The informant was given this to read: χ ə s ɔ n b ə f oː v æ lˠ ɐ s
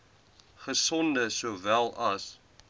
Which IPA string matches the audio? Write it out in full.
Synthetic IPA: χ ə s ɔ n d ə s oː v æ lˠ ɐ s